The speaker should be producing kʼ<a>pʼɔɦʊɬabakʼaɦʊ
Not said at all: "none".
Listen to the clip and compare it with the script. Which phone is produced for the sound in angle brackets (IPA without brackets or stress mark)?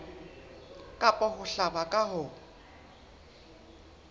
a